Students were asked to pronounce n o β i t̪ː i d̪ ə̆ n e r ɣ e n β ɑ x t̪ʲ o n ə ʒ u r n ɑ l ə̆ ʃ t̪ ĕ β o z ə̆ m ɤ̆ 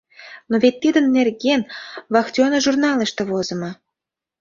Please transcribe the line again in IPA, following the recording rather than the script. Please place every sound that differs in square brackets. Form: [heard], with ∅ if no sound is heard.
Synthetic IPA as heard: n o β [e] t̪ː i d̪ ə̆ [nː] e r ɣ e n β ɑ x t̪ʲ o n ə ʒ u r n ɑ l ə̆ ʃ t̪ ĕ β o z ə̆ m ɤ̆